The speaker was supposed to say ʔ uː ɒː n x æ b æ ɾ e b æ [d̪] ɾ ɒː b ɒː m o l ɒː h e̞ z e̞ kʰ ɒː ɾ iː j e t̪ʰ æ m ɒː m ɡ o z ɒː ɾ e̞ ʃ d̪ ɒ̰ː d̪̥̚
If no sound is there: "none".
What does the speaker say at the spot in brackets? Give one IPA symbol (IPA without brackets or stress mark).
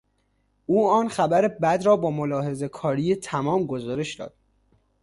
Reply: d̪